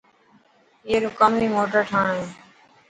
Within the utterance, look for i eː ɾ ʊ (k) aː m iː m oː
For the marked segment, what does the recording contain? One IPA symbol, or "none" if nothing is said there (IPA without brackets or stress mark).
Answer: k